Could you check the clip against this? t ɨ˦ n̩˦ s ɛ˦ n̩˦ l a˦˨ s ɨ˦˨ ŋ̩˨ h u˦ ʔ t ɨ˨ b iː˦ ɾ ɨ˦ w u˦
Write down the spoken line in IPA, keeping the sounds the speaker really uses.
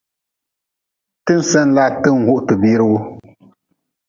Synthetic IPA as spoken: t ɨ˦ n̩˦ s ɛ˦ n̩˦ l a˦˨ t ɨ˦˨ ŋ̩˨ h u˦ ʔ t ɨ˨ b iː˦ ɾ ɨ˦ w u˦